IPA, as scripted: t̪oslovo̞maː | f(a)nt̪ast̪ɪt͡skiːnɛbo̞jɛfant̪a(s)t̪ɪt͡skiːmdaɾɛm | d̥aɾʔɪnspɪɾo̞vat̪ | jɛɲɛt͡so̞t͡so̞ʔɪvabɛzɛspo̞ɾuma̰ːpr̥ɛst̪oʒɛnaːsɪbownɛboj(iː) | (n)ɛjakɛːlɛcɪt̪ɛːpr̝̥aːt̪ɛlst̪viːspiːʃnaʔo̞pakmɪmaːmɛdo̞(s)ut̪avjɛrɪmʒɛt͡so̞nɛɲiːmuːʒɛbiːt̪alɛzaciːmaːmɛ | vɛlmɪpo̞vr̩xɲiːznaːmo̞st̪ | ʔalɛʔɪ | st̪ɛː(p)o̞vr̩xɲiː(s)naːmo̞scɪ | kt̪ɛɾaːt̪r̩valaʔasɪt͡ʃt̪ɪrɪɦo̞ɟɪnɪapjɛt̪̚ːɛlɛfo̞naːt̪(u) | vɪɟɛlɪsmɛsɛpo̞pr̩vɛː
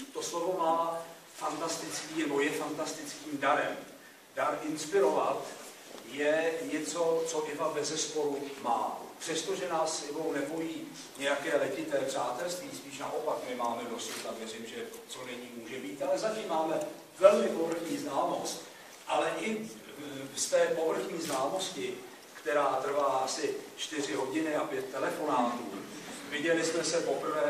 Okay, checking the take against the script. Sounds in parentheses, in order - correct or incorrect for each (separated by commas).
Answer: correct, correct, correct, incorrect, correct, correct, incorrect, incorrect